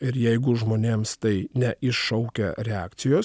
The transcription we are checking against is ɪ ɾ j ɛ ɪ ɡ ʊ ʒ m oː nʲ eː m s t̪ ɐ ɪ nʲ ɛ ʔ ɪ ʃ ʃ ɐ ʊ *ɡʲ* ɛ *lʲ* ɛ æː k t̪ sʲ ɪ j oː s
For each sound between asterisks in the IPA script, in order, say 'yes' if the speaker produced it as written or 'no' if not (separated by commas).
no, no